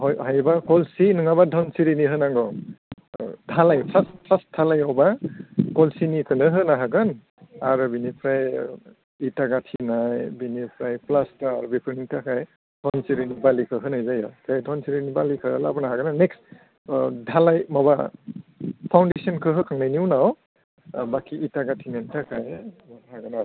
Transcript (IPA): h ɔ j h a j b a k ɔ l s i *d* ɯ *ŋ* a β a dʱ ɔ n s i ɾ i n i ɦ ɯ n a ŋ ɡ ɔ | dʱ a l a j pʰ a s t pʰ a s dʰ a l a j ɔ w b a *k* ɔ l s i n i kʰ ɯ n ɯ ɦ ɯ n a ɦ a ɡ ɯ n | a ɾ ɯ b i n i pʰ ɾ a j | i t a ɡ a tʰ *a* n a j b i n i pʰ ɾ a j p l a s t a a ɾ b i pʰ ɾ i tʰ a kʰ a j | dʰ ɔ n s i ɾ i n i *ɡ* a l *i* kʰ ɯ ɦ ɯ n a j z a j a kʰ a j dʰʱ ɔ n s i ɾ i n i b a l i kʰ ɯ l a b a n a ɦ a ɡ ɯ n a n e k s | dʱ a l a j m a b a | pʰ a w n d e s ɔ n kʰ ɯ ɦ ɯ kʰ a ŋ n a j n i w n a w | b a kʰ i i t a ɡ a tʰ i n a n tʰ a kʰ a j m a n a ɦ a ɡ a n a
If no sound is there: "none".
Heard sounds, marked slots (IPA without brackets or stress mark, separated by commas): n, ŋ, k, i, b, i